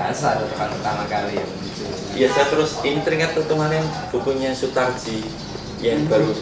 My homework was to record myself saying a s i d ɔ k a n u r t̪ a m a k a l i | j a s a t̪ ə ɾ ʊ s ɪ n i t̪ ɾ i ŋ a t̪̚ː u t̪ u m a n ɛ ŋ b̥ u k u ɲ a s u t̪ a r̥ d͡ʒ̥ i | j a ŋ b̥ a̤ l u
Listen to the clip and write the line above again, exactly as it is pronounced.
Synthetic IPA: a s a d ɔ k a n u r t̪ a m a k a l i | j a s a t̪ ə ɾ ʊ s i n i t̪ ɾ i ŋ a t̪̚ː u t̪ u m a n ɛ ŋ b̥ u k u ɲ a s u t̪ a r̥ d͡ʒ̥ i | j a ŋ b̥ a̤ ɾ u